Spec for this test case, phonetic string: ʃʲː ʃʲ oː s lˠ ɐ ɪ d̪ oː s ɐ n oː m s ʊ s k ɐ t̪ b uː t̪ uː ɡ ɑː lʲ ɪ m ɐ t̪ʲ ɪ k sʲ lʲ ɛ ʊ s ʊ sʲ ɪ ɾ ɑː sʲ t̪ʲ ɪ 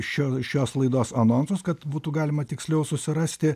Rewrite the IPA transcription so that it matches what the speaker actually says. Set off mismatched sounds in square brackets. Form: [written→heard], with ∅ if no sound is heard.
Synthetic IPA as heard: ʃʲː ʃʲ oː s lˠ ɐ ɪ d̪ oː s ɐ n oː [m→n] s ʊ s k ɐ t̪ b uː t̪ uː ɡ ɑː lʲ ɪ m ɐ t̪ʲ ɪ k sʲ lʲ ɛ ʊ s ʊ sʲ ɪ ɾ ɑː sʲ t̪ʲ ɪ